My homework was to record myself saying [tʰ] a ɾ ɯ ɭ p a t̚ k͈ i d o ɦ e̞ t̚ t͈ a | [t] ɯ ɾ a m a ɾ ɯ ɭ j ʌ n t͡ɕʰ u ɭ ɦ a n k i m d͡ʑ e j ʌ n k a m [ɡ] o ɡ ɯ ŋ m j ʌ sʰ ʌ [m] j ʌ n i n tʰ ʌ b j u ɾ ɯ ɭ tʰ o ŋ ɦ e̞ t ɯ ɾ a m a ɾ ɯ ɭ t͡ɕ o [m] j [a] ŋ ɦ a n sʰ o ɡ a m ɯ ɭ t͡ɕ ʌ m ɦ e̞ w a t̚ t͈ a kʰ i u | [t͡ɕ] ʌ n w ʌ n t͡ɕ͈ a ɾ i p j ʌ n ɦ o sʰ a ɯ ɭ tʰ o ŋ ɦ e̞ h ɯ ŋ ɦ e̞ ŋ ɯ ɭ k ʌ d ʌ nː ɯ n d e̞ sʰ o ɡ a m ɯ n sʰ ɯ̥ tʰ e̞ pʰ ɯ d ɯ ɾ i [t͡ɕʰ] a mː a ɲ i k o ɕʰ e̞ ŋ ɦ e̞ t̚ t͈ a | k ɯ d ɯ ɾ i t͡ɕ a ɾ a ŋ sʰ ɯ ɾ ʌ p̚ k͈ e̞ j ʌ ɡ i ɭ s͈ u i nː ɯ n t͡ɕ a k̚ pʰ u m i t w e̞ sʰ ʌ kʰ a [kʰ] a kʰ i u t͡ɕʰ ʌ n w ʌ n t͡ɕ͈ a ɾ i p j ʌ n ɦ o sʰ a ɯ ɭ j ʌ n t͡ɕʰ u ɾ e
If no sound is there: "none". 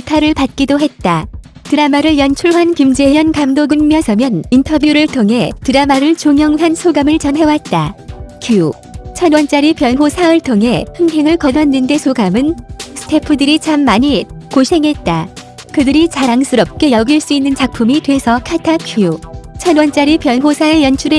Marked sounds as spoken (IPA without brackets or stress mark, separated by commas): tʰ, t, d, m, ŋ, ʌ, t͡ɕʰ, t͡ɕ, tʰ